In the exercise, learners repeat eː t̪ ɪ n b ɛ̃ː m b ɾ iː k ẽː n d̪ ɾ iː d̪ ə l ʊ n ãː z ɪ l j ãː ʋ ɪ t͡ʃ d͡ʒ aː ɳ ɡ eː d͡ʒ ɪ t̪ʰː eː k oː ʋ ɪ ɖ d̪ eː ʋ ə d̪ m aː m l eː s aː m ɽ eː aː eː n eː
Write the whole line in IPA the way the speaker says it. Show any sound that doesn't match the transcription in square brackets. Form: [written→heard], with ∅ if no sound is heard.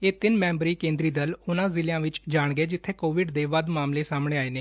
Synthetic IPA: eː t̪ ɪ n [b→m] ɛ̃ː m b ɾ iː k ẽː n d̪ ɾ iː d̪ ə l ʊ n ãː z ɪ l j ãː ʋ ɪ t͡ʃ d͡ʒ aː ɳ ɡ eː d͡ʒ ɪ t̪ʰː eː k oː ʋ ɪ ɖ d̪ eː ʋ ə d̪ m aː m l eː s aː m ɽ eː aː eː n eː